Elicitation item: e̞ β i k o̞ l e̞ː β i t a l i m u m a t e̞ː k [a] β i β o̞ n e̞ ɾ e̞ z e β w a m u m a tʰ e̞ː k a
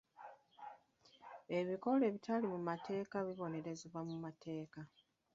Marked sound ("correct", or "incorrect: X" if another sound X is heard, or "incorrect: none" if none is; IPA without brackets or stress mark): correct